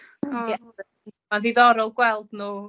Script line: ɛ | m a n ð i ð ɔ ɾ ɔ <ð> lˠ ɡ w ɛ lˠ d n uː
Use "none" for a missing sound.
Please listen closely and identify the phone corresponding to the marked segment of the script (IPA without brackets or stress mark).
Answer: none